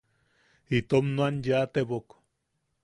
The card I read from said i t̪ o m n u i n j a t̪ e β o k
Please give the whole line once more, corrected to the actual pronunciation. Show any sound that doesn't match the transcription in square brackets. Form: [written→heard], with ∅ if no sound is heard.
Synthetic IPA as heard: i t̪ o m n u [i→a] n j a t̪ e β o k